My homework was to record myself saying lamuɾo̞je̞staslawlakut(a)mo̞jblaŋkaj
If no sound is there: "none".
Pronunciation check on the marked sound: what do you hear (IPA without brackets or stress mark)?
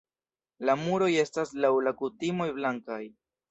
i